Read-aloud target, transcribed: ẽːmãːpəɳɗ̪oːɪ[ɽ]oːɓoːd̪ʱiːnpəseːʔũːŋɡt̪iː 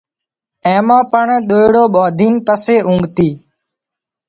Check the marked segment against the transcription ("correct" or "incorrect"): correct